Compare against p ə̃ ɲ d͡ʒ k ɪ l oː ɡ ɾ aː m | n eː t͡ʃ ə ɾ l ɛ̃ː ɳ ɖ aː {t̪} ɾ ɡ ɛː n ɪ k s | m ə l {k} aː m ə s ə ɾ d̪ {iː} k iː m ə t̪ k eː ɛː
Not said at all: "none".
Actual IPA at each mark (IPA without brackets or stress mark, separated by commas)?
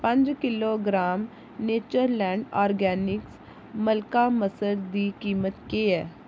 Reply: none, k, iː